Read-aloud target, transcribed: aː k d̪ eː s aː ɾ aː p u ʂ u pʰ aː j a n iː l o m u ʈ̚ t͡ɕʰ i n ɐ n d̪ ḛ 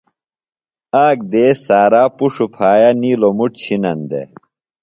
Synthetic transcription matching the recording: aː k d̪ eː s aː ɾ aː p u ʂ u pʰ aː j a n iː l o m u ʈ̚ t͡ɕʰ i n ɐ n d̪ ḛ